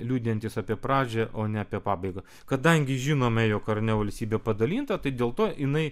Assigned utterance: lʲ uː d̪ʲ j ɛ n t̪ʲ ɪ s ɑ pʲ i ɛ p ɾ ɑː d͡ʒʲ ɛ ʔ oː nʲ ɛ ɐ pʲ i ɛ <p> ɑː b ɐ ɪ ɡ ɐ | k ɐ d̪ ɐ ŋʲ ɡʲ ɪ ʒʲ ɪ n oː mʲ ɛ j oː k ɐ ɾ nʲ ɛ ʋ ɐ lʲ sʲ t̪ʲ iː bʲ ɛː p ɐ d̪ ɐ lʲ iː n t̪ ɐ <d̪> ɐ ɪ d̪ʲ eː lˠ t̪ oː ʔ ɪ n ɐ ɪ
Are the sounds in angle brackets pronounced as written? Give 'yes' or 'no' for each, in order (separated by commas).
yes, no